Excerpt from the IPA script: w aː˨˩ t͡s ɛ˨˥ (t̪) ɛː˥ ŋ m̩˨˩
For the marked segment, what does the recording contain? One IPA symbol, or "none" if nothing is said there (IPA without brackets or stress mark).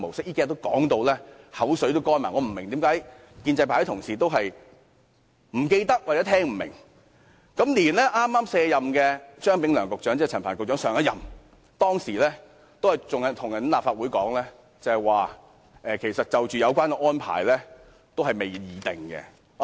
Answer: t̪ʰ